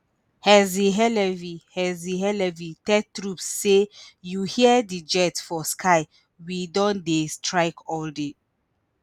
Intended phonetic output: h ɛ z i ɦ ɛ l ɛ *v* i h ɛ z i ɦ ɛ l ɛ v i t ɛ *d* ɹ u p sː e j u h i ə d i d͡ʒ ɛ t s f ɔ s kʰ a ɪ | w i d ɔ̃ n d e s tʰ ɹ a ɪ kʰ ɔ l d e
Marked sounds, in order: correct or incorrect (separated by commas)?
correct, incorrect